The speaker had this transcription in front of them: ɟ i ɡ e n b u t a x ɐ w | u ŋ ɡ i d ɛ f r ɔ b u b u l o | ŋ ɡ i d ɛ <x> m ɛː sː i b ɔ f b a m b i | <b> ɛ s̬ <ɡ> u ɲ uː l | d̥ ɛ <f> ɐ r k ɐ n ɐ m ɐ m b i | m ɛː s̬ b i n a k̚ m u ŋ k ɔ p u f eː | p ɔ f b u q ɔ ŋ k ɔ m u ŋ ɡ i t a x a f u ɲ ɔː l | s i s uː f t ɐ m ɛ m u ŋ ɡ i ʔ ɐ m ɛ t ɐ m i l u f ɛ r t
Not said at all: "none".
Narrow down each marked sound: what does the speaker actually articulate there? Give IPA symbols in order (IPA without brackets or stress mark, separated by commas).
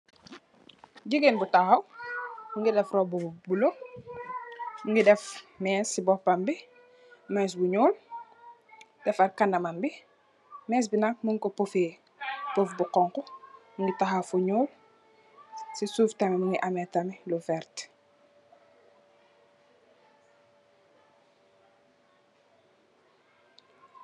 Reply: f, m, b, f